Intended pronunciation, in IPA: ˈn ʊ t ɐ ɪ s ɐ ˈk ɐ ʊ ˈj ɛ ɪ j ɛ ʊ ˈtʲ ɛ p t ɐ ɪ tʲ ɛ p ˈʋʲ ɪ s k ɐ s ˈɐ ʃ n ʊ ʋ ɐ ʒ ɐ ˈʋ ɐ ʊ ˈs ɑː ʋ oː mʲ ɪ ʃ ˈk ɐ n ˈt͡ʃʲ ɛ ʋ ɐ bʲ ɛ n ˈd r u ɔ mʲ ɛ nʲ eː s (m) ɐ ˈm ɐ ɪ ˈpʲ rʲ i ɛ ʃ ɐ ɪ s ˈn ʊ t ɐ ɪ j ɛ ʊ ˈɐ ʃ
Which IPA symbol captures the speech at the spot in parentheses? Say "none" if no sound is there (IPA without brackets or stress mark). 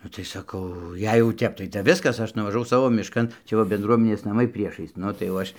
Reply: n